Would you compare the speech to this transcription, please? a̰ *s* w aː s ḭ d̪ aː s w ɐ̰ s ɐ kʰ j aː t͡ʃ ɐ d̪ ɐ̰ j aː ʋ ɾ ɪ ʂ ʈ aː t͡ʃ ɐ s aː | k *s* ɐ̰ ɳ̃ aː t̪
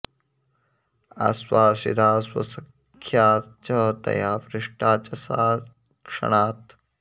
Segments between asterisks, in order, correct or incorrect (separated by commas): correct, incorrect